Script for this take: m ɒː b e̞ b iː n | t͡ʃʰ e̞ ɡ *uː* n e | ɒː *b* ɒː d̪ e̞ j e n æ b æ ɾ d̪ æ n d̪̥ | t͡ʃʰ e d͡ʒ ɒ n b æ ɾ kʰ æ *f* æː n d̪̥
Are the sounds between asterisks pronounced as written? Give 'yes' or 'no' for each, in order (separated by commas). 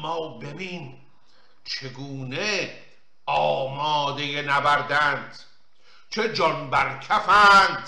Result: yes, no, yes